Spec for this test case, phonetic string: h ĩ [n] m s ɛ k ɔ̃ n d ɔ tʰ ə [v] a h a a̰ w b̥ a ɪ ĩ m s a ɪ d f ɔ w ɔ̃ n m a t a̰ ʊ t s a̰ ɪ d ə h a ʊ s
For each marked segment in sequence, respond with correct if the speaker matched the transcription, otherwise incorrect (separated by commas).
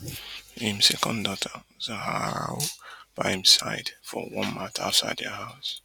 incorrect, incorrect